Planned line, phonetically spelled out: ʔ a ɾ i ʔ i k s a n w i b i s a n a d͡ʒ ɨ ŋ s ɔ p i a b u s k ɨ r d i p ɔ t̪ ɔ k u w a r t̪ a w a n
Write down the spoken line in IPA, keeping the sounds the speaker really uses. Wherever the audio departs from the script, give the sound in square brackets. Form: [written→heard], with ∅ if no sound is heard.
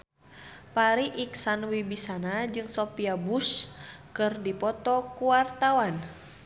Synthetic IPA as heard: [ʔ→p] a ɾ i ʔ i k s a n w i b i s a n a d͡ʒ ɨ ŋ s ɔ p i a b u s k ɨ r d i p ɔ t̪ ɔ k u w a r t̪ a w a n